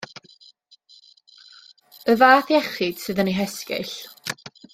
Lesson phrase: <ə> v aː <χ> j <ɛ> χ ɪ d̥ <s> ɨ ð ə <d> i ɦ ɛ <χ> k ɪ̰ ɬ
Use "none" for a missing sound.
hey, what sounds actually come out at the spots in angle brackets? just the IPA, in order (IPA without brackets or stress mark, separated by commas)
ə, θ, ɛ, s, n, s